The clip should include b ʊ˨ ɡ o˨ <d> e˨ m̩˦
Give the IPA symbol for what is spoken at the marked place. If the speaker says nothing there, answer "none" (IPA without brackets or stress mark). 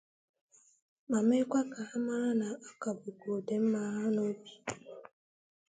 d